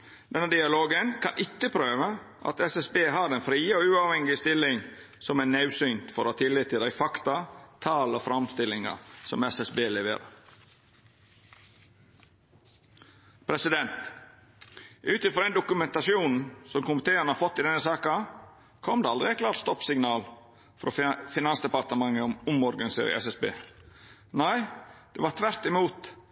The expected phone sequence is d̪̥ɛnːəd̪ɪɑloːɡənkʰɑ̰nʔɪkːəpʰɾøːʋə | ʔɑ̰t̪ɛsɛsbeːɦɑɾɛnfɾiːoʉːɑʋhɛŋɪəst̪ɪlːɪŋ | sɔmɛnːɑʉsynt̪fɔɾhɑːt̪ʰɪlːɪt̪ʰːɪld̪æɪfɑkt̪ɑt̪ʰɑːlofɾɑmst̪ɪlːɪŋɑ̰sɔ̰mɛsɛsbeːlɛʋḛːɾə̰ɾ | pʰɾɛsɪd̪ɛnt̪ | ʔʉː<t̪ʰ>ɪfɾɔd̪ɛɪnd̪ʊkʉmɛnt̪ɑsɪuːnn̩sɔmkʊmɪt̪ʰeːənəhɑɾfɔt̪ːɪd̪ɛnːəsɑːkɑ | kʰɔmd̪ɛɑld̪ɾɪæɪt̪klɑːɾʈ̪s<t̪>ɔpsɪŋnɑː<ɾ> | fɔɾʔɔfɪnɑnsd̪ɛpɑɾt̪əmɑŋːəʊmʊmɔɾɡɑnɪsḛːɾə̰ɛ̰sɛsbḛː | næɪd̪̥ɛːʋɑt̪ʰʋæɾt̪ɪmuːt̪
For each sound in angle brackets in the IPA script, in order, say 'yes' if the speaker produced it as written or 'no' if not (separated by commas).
no, yes, no